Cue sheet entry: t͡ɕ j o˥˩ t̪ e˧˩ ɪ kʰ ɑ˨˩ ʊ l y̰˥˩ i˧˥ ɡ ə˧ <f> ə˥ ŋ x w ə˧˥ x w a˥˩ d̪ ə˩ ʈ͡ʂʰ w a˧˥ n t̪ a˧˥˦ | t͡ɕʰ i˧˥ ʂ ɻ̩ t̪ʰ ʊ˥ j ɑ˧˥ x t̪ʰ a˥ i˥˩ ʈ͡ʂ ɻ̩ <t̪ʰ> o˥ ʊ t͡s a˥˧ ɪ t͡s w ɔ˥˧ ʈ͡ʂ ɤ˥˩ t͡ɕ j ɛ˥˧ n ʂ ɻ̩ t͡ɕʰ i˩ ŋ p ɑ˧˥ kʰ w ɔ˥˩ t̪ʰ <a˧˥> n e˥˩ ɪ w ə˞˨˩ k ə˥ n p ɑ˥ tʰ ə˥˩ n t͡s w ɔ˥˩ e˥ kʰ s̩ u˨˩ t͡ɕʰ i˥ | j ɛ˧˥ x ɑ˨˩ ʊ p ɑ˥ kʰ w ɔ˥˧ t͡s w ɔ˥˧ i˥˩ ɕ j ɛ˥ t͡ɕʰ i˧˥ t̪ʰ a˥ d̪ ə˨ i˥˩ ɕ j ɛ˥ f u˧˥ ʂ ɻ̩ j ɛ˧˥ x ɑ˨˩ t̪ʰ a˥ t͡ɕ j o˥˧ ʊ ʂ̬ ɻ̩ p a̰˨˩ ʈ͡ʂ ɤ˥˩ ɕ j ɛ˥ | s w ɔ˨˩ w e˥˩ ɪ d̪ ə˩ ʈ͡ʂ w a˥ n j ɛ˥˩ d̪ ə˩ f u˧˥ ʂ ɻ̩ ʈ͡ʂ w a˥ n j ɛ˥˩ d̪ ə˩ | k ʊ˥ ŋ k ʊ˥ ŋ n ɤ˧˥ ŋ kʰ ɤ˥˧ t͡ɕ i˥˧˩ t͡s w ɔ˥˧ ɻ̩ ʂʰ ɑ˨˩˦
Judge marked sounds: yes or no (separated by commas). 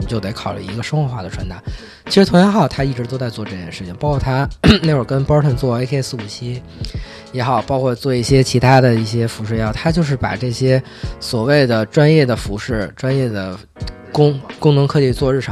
no, no, no